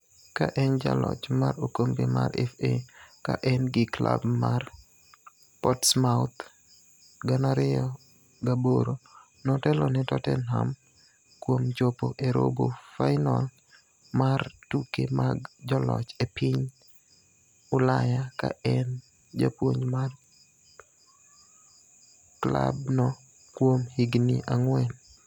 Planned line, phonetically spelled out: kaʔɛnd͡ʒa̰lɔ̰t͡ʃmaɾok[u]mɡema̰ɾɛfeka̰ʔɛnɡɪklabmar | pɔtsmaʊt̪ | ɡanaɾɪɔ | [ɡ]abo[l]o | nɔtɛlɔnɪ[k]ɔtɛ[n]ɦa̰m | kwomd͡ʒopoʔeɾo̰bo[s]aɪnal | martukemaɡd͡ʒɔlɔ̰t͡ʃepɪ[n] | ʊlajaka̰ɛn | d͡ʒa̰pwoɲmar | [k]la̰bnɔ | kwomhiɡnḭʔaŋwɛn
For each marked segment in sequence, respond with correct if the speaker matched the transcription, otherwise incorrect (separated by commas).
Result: incorrect, correct, incorrect, incorrect, correct, incorrect, incorrect, correct